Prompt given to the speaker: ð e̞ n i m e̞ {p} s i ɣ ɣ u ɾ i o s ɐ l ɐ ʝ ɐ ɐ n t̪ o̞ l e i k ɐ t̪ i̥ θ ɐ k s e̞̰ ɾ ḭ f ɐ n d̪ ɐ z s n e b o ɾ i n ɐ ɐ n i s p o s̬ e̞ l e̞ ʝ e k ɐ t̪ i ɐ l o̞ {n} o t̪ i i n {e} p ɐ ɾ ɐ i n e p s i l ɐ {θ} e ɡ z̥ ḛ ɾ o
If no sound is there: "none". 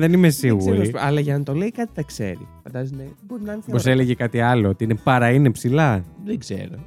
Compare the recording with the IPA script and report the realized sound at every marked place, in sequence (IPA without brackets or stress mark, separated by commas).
none, none, e, ð